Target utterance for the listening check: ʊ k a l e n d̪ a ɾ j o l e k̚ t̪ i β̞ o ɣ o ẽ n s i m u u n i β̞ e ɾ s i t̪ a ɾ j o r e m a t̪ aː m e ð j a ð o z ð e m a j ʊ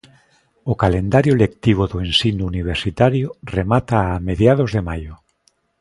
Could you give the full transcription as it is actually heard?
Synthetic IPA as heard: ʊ k a l e n d̪ a ɾ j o l e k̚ t̪ i β̞ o ð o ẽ n s i n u u n i β̞ e ɾ s i t̪ a ɾ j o r e m a t̪ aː m e ð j a ð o z ð e m a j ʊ